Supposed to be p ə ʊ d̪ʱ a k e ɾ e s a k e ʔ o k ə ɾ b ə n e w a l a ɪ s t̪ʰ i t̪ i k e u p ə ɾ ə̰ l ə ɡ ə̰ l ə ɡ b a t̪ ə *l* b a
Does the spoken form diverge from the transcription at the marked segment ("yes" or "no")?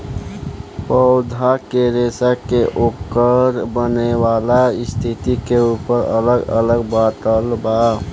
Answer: no